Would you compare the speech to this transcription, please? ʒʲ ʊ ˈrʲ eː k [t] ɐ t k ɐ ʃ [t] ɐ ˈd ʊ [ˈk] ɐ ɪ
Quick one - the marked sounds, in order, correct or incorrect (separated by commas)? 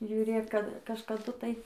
incorrect, incorrect, incorrect